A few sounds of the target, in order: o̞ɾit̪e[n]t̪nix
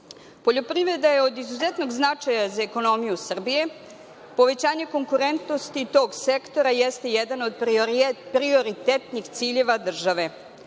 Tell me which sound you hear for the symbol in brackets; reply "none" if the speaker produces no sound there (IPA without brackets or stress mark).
none